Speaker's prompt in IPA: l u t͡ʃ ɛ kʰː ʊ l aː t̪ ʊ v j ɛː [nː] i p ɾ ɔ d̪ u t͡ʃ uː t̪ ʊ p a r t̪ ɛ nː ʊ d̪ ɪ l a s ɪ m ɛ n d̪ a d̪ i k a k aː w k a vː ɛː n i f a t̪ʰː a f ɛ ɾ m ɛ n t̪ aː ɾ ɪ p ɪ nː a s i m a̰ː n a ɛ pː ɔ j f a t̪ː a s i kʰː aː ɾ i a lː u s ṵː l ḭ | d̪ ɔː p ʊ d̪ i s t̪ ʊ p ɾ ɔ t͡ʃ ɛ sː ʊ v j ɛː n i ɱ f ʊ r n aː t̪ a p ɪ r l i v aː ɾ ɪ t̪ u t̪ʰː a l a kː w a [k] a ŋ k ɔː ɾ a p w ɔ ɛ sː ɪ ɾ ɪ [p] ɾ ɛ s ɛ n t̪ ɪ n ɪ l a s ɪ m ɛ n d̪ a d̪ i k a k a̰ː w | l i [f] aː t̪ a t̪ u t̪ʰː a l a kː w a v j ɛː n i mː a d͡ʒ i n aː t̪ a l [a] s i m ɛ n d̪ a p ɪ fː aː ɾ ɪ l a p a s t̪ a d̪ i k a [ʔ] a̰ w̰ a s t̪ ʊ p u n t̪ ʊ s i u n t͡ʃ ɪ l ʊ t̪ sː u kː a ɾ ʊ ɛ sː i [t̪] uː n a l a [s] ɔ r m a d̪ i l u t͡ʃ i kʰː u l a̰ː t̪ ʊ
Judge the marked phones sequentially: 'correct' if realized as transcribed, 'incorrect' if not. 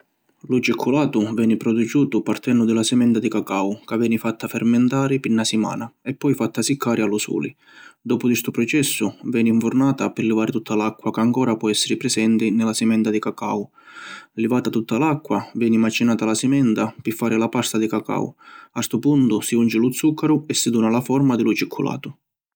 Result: incorrect, correct, correct, incorrect, correct, incorrect, incorrect, incorrect

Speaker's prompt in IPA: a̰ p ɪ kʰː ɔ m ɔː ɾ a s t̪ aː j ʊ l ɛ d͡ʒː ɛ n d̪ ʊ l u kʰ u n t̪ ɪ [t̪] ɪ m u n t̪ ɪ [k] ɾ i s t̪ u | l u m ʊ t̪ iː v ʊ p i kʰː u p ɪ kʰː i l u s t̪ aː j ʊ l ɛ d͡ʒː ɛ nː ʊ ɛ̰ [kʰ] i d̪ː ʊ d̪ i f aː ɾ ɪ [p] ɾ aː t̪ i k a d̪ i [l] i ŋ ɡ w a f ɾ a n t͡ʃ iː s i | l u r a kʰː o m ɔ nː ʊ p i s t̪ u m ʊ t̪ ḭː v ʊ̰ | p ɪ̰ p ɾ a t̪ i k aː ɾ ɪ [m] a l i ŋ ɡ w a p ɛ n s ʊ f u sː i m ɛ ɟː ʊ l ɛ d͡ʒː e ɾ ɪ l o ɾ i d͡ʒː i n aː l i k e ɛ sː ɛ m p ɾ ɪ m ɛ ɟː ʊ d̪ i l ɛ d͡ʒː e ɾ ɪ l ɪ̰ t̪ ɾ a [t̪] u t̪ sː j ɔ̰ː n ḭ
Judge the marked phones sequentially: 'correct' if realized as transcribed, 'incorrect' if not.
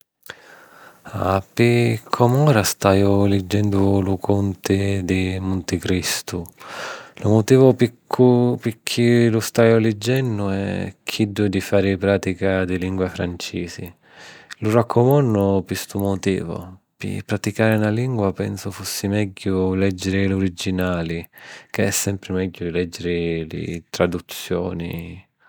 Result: incorrect, correct, correct, correct, correct, incorrect, incorrect

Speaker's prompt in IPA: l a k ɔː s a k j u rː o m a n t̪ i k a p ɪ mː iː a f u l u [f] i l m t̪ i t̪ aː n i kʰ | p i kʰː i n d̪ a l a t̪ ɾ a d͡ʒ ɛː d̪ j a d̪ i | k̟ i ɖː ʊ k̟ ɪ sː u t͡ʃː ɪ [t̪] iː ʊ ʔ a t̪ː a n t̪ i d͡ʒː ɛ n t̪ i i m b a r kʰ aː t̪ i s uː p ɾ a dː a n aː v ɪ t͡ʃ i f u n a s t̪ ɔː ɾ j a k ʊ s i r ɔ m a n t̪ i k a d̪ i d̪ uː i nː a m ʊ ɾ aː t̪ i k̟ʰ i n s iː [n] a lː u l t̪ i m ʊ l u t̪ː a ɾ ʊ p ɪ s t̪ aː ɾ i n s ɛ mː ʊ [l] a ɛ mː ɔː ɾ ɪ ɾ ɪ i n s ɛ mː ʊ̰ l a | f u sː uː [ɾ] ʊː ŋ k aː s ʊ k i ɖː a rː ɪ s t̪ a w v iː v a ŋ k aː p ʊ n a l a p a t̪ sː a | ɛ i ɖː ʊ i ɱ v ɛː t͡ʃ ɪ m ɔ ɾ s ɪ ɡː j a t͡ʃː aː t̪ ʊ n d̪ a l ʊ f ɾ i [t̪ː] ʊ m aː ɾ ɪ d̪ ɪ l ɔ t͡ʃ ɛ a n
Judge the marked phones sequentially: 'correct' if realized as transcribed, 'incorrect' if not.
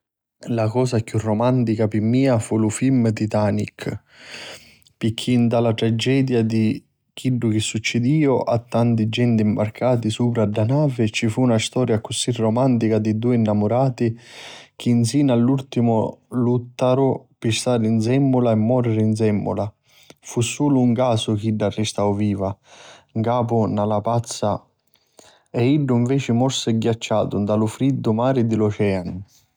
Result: correct, incorrect, correct, correct, incorrect, incorrect

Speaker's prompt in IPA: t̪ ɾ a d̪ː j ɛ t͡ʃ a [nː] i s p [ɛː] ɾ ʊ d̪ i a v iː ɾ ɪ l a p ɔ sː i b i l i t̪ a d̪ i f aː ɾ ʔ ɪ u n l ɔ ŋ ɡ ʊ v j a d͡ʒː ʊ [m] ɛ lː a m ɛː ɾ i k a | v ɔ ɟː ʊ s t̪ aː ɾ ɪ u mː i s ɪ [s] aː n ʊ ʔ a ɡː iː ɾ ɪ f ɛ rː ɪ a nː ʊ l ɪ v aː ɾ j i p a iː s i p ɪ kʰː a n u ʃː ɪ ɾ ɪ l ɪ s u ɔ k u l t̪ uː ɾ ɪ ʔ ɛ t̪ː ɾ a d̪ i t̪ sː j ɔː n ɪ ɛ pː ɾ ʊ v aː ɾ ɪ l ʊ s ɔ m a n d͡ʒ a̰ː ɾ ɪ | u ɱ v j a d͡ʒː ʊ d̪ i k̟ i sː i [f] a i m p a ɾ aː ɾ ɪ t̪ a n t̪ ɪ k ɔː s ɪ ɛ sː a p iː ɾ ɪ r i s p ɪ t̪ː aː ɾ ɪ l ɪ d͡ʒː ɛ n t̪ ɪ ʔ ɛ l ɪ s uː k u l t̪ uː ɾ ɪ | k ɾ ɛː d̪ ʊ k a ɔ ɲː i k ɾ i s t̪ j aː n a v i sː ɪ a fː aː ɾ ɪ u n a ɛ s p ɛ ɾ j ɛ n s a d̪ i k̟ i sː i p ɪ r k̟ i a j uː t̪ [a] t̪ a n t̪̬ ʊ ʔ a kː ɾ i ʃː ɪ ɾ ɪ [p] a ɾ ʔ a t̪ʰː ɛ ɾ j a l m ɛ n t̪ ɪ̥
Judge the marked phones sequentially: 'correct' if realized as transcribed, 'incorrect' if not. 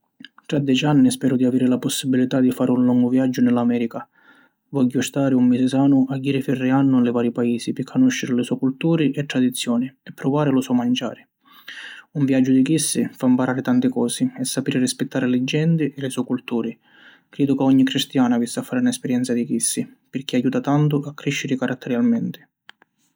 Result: correct, correct, incorrect, correct, correct, correct, incorrect

